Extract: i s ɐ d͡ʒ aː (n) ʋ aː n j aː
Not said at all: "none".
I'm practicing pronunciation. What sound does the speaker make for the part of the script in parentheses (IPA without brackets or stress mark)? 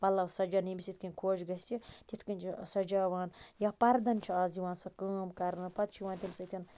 none